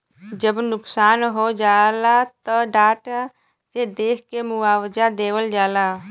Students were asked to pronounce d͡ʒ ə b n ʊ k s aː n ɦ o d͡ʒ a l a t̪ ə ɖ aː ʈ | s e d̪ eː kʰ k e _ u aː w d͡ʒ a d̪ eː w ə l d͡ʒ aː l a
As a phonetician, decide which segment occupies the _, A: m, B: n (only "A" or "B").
A